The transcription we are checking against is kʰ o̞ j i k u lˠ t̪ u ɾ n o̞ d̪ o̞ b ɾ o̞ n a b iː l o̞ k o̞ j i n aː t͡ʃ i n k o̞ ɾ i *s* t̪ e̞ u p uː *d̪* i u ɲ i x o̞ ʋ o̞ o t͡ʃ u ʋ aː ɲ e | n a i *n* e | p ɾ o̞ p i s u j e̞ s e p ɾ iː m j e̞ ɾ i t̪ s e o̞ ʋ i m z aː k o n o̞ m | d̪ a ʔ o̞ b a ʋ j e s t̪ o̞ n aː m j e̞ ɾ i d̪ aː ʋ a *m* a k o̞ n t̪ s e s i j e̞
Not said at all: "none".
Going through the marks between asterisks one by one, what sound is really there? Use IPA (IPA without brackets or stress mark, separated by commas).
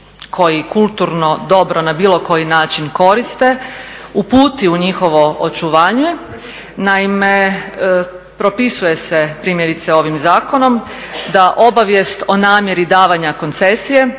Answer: s, t̪, m, ɲ